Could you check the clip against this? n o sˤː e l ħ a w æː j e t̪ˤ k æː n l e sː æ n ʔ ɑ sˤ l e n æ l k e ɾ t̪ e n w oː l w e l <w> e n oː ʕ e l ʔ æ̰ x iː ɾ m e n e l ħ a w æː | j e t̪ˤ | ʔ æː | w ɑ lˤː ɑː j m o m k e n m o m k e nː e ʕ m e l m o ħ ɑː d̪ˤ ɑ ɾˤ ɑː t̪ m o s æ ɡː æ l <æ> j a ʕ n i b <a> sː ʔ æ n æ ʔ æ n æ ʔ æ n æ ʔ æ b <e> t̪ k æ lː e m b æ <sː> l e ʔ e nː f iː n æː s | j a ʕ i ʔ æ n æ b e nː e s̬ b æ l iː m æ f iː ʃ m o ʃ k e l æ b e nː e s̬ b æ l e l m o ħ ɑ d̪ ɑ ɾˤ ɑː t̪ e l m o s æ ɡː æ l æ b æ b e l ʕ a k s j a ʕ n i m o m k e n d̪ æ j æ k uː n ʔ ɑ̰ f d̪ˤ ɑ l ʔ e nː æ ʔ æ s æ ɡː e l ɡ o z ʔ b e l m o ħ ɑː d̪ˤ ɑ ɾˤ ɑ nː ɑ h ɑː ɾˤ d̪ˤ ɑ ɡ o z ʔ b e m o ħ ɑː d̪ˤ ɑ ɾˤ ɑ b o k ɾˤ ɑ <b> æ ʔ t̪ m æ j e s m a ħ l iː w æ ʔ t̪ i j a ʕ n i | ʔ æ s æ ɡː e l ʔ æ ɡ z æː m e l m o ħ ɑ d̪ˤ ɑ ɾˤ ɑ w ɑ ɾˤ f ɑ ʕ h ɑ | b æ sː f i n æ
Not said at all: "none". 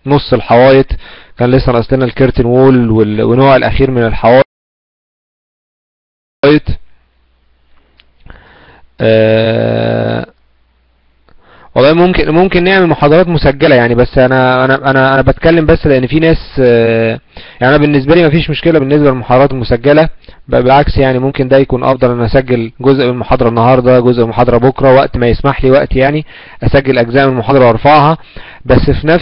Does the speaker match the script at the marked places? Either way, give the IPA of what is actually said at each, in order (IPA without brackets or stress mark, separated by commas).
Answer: w, æ, æ, æ, sː, w